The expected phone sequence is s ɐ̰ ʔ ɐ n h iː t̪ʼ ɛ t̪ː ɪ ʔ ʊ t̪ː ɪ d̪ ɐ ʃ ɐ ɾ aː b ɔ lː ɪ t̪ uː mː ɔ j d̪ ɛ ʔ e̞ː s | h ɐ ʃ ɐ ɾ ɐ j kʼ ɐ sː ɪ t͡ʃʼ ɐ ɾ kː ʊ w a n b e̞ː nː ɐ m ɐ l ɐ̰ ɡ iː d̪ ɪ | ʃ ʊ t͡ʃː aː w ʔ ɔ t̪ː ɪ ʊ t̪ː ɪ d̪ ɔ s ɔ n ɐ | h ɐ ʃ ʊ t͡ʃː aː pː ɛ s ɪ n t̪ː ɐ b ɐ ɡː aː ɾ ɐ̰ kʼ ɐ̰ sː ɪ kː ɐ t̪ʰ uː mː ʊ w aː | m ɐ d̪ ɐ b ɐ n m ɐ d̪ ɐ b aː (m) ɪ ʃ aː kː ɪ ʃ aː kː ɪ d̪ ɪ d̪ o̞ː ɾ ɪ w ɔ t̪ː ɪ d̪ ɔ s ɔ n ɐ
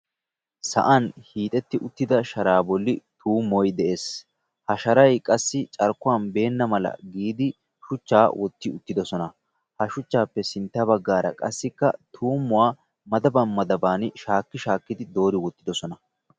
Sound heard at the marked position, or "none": n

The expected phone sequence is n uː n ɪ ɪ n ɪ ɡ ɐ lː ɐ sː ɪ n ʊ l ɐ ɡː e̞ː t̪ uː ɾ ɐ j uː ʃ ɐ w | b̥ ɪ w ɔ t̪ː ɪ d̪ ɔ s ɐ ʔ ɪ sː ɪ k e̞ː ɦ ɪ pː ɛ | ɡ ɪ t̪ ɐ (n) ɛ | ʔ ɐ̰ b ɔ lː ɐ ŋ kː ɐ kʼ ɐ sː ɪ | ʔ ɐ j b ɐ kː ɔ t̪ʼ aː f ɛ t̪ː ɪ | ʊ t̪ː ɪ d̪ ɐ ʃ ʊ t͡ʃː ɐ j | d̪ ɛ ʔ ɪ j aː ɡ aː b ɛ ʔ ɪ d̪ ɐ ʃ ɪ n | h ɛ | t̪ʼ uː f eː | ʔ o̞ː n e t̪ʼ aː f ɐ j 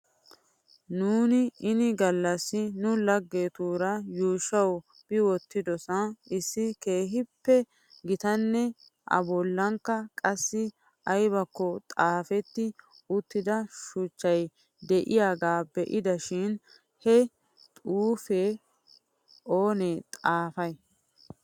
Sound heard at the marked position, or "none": nː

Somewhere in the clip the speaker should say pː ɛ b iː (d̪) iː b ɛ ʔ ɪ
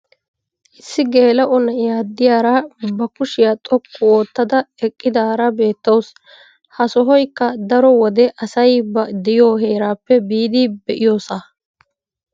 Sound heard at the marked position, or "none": d̪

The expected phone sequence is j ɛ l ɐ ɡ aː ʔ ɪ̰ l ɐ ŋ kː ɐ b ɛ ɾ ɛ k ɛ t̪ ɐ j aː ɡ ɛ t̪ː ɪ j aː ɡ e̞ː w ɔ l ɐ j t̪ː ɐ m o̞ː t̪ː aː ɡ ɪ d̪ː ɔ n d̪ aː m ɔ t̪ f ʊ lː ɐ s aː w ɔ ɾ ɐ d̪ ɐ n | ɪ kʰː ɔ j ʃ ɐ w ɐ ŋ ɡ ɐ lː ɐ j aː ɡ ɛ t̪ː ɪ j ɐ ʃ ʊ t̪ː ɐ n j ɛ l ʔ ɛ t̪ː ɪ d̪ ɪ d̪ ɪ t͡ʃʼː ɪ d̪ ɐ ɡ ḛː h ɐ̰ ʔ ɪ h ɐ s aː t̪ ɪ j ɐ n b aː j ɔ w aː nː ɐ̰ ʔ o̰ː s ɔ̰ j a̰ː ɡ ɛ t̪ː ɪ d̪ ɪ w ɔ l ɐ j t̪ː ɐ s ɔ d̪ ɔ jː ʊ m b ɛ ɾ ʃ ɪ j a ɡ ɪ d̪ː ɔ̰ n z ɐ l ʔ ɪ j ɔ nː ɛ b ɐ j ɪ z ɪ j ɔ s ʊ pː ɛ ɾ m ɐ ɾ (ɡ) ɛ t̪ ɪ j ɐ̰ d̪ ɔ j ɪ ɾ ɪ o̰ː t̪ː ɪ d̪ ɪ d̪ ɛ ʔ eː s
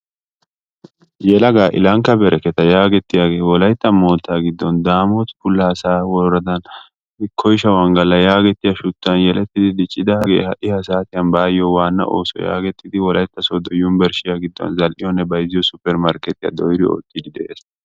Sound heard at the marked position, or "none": k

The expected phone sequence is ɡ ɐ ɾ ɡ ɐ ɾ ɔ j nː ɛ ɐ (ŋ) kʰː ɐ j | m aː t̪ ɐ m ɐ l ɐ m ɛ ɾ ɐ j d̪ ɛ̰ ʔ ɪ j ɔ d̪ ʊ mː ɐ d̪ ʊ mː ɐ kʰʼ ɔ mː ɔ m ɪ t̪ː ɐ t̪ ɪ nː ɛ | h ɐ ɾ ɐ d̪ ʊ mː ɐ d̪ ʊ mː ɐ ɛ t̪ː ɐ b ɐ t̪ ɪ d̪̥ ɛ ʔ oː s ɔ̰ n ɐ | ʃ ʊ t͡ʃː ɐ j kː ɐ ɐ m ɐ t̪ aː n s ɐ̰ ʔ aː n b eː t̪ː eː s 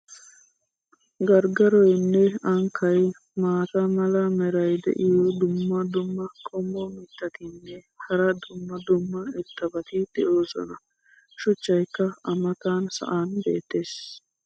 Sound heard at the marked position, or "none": ŋ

